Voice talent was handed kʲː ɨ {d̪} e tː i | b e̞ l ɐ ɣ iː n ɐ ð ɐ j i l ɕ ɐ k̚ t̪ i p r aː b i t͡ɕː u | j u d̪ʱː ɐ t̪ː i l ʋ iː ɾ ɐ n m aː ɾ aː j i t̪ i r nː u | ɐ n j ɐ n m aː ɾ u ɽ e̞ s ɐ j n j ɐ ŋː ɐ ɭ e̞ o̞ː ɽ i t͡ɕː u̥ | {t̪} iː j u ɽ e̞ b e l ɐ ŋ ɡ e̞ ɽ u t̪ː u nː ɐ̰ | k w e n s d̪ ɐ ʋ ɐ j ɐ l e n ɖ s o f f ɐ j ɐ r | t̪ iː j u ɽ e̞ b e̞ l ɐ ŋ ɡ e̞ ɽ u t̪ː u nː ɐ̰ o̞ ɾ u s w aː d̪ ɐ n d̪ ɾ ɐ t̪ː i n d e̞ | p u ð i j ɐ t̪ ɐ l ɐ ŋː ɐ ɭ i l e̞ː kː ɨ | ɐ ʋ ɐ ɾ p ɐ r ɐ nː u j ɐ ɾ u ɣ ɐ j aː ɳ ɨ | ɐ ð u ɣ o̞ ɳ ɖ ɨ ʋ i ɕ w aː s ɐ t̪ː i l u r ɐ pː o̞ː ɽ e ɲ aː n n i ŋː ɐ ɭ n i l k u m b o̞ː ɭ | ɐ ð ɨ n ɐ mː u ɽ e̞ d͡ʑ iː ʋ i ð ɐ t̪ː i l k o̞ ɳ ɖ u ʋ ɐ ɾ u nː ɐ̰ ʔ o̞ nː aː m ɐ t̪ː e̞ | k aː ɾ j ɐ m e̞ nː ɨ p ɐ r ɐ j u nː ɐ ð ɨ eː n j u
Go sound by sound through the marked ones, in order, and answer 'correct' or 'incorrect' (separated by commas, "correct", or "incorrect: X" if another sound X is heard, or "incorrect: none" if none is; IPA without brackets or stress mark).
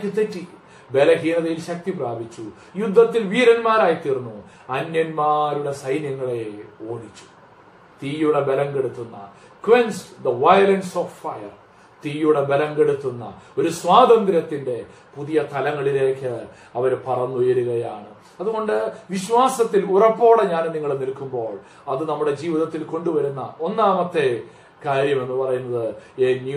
incorrect: t̪, correct